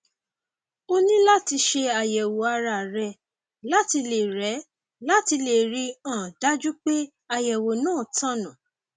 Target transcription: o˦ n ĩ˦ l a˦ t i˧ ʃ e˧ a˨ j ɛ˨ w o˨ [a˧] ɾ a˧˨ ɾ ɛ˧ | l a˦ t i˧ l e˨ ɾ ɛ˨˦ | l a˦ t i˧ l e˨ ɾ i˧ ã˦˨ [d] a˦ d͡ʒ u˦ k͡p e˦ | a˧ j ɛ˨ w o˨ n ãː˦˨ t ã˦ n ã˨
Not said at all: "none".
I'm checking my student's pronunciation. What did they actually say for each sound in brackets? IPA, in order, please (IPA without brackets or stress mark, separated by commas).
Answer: a˧, d